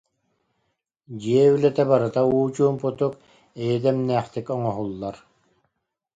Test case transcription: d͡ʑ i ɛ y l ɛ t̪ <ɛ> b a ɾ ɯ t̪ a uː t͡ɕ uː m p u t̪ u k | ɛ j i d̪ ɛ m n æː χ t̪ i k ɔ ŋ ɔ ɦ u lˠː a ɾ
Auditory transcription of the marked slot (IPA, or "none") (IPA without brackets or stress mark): ɛ